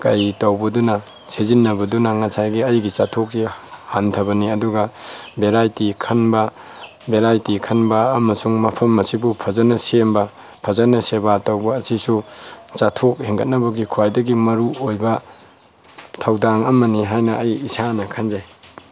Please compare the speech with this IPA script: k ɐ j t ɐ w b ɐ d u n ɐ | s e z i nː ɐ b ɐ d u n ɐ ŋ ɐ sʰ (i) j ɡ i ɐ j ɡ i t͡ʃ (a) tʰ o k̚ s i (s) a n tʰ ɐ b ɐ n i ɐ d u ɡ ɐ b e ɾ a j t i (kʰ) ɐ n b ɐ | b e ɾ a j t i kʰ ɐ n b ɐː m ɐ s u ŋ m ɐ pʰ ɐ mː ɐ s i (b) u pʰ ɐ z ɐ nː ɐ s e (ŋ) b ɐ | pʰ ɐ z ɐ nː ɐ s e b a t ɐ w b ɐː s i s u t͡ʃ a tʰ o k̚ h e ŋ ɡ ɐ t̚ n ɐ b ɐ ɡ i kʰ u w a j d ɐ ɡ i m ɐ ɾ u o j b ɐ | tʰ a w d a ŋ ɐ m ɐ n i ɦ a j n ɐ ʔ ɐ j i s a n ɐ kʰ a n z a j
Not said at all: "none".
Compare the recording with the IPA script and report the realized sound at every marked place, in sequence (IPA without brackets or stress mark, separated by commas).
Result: a, a, h, kʰ, b, m